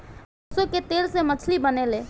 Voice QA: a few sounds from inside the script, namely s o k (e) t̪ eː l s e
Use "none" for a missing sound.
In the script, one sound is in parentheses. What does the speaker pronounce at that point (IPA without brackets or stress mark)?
e